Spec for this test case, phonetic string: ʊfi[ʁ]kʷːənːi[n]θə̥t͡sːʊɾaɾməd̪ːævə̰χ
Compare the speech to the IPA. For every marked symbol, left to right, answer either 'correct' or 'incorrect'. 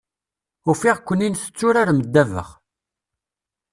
correct, correct

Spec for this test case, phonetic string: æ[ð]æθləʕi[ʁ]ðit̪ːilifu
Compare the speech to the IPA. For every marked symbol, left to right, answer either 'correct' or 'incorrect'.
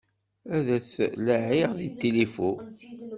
correct, correct

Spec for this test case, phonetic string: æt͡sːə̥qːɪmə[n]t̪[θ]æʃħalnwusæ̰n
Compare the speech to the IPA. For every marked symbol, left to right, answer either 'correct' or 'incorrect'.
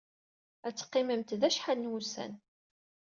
incorrect: m, incorrect: ð

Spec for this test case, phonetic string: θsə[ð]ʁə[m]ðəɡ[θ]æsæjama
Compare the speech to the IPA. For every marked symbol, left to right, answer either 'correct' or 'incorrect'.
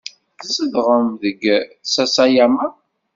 correct, correct, incorrect: s

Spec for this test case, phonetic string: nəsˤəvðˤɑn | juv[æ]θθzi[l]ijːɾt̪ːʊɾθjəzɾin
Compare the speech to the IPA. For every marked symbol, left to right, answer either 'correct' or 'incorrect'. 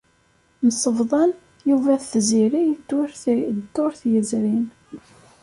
correct, incorrect: ɾ

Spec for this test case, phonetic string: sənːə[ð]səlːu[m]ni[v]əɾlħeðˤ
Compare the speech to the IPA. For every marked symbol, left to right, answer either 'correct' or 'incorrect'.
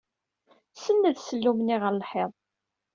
correct, correct, incorrect: ʁ

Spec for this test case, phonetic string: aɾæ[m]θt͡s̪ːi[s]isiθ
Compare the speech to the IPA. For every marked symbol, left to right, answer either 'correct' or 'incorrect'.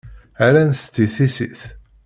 incorrect: n, incorrect: θ

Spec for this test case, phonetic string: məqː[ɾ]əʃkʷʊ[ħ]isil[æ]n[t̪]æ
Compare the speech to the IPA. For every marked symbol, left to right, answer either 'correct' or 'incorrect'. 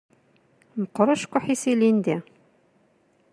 correct, correct, incorrect: i, incorrect: d̪

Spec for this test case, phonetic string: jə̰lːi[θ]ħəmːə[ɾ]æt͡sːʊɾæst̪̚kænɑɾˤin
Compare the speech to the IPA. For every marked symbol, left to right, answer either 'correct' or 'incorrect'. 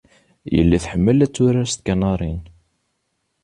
correct, incorrect: l

